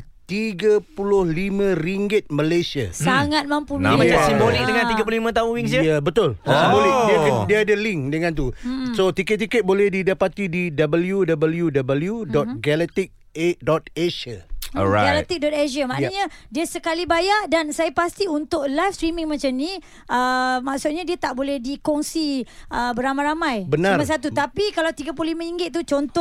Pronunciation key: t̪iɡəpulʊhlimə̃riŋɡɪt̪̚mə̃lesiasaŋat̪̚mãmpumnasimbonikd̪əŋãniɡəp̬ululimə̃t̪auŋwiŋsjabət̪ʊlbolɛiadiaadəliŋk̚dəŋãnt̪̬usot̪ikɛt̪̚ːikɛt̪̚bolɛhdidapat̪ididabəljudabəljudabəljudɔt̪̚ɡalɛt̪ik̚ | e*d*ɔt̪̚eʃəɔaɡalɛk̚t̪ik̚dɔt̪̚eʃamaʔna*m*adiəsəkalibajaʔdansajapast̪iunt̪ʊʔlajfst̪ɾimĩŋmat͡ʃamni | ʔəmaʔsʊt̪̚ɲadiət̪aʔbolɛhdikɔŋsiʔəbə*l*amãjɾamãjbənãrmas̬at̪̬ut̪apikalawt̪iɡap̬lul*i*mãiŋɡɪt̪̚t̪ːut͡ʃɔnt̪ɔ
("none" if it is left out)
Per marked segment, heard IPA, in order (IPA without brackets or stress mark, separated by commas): d, ɲ, ɾ, i